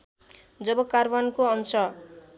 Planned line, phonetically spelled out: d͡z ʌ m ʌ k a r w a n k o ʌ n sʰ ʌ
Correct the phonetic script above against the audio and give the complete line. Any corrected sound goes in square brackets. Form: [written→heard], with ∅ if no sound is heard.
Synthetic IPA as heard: d͡z ʌ [m→b] ʌ k a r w a n k o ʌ n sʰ ʌ